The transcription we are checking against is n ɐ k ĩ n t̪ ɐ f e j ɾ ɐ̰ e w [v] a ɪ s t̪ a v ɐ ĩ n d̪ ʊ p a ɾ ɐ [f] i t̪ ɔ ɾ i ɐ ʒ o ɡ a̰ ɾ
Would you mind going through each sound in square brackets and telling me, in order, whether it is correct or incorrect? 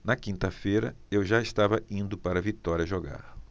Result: incorrect, incorrect

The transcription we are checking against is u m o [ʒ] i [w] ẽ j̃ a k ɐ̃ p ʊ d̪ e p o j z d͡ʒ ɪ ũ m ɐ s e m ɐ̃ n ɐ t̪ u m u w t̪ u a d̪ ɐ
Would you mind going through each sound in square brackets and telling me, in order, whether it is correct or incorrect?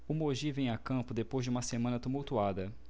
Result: correct, incorrect

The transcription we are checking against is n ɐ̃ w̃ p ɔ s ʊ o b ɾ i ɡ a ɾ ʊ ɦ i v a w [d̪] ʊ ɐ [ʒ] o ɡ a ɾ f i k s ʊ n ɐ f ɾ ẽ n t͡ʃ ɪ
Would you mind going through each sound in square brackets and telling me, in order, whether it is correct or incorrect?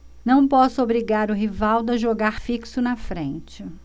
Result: correct, correct

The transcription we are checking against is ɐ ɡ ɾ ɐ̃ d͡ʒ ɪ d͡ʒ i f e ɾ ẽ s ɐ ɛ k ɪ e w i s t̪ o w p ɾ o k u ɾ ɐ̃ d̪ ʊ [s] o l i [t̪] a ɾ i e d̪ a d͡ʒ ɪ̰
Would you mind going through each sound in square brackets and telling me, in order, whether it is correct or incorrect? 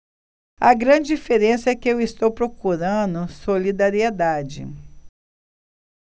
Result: correct, incorrect

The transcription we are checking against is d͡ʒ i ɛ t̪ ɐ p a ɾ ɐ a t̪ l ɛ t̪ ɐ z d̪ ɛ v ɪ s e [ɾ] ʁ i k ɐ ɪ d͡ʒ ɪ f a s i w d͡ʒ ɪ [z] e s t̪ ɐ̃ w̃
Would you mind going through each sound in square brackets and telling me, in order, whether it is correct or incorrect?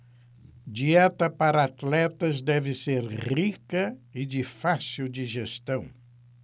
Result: correct, incorrect

